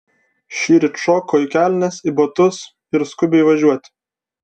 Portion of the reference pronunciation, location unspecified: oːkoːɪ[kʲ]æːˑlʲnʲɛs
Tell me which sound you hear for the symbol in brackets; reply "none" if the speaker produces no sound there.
kʲ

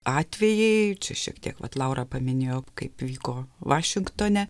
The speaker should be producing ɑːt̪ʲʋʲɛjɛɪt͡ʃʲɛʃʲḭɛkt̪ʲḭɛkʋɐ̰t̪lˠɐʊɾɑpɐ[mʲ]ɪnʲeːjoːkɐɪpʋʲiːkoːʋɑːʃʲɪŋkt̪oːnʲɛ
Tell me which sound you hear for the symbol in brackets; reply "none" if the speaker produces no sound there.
mʲ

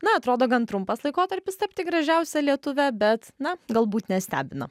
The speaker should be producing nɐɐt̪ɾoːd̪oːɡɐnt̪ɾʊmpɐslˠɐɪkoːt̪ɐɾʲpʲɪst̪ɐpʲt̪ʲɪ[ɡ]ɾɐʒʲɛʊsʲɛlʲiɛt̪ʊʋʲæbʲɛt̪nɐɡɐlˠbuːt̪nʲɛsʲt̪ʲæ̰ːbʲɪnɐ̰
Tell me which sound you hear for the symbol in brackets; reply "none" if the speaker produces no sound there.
ɡ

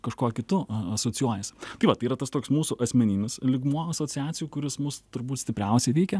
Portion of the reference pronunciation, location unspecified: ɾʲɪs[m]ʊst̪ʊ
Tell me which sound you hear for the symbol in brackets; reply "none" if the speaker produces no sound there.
m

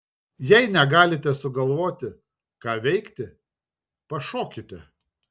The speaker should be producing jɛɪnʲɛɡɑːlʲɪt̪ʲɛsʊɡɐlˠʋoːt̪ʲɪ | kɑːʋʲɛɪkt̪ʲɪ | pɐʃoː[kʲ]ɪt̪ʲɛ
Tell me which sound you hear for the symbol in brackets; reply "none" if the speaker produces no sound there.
kʲ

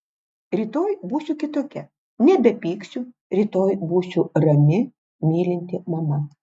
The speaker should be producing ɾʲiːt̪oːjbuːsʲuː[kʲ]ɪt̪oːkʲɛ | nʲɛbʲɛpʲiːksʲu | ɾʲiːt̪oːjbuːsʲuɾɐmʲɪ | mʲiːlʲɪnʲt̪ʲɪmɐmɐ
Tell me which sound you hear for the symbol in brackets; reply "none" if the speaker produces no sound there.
kʲ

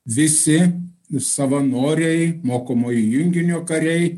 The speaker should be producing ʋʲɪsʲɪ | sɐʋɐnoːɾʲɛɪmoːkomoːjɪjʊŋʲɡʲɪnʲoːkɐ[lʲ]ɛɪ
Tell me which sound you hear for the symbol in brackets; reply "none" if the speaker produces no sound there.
ɾʲ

